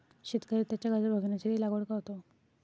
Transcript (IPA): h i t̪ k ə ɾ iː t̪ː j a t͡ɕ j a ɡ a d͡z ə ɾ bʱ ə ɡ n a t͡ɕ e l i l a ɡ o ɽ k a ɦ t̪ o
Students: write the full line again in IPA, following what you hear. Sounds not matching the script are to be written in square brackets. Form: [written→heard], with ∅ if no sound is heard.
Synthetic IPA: [h→ɕ] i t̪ k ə ɾ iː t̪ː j a t͡ɕ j a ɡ a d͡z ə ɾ bʱ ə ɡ n a t͡ɕ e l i l a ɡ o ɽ k a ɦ t̪ o